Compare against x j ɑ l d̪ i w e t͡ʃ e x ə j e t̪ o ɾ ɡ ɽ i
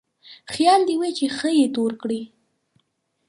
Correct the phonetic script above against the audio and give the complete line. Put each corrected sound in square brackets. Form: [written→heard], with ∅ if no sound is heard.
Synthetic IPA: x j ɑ l d̪ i w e t͡ʃ e x ə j e t̪ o ɾ [ɡ→k] ɽ i